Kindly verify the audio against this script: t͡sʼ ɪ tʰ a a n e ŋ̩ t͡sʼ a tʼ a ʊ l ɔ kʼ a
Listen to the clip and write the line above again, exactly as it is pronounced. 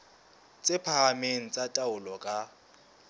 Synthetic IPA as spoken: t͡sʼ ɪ pʰ a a m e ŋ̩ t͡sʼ a tʼ a ʊ l ɔ kʼ a